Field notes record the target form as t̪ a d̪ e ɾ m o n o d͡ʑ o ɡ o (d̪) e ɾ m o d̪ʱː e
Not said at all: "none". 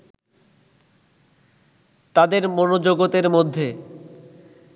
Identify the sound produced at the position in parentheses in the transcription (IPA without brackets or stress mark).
t̪